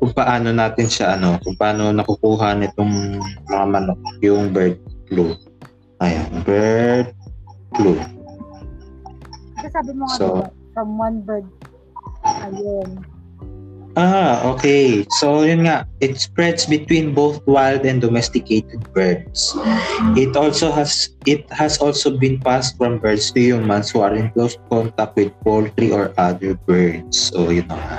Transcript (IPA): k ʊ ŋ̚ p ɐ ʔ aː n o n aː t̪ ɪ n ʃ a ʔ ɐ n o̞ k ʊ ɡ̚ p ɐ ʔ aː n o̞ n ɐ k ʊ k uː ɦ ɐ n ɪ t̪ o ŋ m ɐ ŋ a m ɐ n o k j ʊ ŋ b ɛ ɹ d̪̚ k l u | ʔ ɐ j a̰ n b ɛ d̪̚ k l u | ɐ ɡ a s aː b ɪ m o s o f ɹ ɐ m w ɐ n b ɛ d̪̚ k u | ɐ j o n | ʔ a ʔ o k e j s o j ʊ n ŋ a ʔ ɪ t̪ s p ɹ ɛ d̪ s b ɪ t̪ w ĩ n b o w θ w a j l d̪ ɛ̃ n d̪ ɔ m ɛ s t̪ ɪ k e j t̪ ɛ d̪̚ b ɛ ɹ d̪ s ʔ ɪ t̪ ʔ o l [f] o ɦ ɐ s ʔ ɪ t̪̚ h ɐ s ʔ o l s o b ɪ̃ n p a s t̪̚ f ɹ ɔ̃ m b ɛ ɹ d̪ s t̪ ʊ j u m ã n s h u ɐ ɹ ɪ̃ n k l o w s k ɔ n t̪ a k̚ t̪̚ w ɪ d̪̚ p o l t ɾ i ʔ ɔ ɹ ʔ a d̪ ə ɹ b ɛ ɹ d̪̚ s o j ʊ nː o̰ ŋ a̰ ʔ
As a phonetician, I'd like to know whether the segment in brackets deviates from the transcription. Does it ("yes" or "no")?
yes